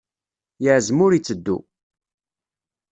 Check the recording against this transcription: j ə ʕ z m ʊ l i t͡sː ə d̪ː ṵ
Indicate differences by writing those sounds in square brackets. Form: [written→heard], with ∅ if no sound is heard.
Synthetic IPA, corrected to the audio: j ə ʕ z m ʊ [l→ɾ] i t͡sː ə d̪ː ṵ